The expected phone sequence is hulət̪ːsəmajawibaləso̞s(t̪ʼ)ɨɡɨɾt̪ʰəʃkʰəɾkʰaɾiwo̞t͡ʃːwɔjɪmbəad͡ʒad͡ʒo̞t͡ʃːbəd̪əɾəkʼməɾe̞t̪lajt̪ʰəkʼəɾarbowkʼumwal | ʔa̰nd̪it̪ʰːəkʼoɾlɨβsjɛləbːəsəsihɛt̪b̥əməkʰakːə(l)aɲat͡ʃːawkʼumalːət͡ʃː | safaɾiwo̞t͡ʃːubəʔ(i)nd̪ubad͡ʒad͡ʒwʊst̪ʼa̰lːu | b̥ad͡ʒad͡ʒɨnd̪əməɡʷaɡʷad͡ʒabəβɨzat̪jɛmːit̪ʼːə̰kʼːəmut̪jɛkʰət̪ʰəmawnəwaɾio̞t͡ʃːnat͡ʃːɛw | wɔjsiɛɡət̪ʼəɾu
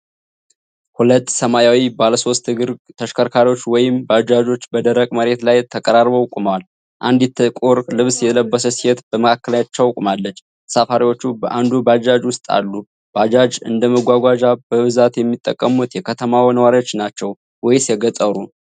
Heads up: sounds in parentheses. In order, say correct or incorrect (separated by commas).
incorrect, correct, incorrect